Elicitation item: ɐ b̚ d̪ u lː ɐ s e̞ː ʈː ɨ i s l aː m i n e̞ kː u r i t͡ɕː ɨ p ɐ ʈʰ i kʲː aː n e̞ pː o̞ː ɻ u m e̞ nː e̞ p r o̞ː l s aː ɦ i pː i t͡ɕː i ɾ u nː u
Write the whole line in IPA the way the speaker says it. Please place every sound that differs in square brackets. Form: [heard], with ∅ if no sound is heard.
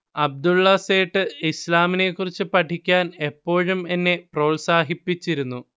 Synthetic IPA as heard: ɐ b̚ d̪ u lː ɐ s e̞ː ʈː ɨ i s l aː m i n e̞ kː u r i t͡ɕː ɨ p ɐ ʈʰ i kʲː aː n e̞ pː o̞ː ɻ u m e̞ nː e̞ p r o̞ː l s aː ɦ i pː i t͡ɕː i ɾ u nː u